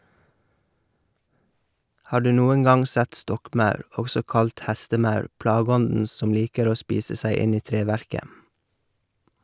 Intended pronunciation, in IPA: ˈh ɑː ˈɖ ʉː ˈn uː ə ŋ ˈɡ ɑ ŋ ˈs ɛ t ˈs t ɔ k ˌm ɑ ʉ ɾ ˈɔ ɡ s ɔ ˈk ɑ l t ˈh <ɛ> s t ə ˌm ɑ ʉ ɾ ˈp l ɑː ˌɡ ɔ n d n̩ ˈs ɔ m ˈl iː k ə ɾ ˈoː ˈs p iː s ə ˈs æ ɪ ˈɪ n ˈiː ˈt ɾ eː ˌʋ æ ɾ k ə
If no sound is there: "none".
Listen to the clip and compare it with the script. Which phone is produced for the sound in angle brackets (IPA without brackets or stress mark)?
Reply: æ